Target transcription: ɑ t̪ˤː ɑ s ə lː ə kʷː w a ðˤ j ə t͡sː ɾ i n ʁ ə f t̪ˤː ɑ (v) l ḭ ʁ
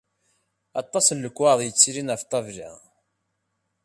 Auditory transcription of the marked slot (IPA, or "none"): v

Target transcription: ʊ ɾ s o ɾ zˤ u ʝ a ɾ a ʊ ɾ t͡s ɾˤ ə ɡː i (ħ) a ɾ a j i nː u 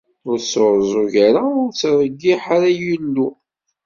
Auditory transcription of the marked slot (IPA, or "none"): ħ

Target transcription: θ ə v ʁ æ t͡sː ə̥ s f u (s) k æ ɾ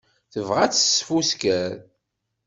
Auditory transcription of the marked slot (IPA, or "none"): s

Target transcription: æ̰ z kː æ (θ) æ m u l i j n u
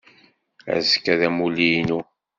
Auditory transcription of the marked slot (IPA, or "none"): ð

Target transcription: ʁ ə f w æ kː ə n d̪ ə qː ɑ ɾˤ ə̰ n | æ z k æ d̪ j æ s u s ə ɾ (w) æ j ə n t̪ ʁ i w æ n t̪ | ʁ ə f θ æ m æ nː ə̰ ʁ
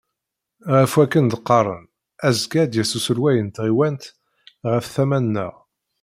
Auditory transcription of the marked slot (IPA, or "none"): w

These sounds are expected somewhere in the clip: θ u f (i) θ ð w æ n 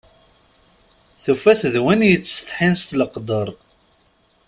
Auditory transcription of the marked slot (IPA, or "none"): æ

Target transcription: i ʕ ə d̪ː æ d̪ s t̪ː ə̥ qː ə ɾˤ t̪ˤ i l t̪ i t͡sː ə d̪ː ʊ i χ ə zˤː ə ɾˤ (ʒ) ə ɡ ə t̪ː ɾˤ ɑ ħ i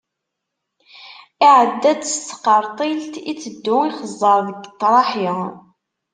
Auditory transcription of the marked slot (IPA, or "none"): ð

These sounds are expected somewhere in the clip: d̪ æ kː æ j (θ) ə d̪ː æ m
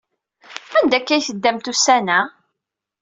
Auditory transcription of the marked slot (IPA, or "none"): θ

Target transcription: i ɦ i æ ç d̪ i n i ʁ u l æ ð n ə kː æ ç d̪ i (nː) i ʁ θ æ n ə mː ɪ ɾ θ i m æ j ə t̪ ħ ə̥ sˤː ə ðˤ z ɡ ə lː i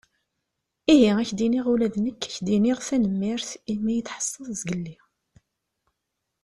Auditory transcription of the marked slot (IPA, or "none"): n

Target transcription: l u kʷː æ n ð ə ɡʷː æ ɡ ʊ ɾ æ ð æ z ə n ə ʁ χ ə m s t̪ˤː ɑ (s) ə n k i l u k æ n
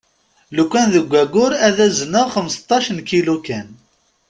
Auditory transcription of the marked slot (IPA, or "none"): ʃ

